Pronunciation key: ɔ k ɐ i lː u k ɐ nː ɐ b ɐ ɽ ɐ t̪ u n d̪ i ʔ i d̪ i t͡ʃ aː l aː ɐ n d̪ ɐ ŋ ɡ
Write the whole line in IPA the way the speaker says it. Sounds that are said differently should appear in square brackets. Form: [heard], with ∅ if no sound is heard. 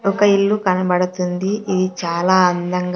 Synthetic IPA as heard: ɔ k ɐ i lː u k ɐ [n] ɐ b ɐ ɽ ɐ t̪ u n d̪ i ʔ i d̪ i t͡ʃ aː l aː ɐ n d̪ ɐ ŋ ɡ